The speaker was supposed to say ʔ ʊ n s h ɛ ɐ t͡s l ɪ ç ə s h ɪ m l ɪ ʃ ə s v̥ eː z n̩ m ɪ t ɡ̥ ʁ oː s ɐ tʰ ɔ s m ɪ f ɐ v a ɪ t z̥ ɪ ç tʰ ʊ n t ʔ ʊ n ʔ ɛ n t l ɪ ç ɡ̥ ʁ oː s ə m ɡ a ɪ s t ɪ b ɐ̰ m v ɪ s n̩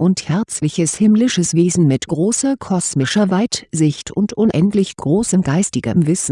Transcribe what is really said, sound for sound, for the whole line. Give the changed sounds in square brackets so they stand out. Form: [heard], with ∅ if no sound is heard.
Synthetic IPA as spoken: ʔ ʊ n [t] h ɛ ɐ t͡s l ɪ ç ə s h ɪ m l ɪ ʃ ə s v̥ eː z n̩ m ɪ t ɡ̥ ʁ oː s ɐ [kʰ] ɔ s m ɪ [ʃ] ɐ v a ɪ t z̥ ɪ ç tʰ ʊ n t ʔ ʊ n ʔ ɛ n t l ɪ ç ɡ̥ ʁ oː s ə m ɡ a ɪ s t ɪ [ɡ] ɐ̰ m v ɪ s n̩